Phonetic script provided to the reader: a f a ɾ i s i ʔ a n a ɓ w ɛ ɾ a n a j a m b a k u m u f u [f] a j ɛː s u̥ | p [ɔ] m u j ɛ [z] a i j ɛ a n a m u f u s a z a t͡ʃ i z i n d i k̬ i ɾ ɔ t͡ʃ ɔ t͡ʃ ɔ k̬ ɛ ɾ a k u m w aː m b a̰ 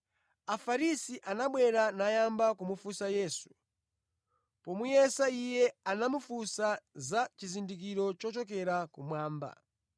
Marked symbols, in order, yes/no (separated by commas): no, yes, no